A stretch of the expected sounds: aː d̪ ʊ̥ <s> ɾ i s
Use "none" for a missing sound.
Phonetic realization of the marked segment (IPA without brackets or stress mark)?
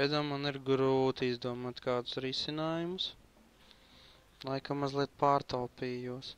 s